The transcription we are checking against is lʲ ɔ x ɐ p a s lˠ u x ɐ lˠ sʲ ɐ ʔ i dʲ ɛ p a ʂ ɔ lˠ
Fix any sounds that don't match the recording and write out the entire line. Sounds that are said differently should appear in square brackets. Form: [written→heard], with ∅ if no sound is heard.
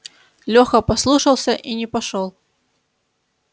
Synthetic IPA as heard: lʲ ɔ x ɐ p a s lˠ u [x→ʂ] ɐ lˠ sʲ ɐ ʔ i [dʲ→nʲ] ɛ p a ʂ ɔ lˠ

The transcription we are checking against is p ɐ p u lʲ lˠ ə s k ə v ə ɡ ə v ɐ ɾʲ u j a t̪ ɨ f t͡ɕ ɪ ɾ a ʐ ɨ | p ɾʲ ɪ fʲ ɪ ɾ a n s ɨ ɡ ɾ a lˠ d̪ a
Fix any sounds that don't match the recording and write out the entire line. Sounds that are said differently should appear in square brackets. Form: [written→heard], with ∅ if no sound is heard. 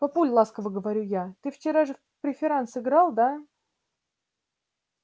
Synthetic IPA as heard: p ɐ p u lʲ lˠ [ə→a] s k ə v ə ɡ ə v ɐ ɾʲ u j a t̪ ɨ f t͡ɕ ɪ ɾ a ʐ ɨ | p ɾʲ ɪ fʲ ɪ ɾ a n s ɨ ɡ ɾ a lˠ d̪ a

